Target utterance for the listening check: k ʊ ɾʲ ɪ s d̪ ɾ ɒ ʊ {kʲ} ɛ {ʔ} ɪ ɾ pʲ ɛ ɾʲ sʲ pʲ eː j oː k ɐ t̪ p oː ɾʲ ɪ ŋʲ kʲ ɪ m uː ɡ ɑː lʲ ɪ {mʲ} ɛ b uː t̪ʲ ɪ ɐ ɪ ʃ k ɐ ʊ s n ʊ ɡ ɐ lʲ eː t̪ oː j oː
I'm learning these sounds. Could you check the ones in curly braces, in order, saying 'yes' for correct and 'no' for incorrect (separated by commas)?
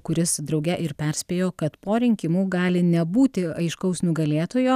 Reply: no, yes, no